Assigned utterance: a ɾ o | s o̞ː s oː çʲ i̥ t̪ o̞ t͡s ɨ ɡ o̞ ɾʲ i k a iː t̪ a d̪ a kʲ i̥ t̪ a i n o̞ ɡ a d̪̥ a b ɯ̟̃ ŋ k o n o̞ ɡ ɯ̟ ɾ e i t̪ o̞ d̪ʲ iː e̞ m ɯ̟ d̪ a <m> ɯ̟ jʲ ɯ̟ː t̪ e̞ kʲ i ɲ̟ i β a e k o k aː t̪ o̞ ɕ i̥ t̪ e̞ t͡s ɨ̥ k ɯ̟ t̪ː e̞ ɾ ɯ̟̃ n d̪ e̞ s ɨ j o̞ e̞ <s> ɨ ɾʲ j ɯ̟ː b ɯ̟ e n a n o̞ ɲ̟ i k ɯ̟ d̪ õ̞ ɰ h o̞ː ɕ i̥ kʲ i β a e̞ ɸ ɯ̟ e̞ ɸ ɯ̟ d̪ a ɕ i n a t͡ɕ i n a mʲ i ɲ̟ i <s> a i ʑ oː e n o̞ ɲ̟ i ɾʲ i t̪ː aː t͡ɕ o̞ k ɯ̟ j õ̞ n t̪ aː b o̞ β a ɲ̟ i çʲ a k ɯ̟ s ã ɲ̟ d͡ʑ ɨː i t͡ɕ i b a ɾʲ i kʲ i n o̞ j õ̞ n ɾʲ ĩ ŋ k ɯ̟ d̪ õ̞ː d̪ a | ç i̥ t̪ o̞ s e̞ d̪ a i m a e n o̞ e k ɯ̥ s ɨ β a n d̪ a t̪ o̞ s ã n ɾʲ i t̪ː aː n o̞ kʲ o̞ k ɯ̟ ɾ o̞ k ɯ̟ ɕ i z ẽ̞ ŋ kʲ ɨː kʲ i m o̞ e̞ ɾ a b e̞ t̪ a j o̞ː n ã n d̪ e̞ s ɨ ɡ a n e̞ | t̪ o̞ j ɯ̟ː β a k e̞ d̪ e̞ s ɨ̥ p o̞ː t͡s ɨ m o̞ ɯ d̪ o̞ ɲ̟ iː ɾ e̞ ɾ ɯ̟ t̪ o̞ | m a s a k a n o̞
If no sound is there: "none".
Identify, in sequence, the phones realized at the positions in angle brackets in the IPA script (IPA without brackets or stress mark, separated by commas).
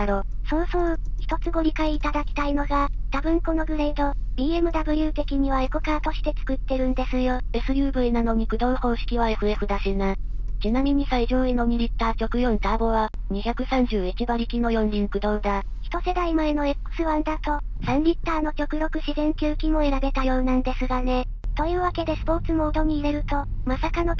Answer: b, s, s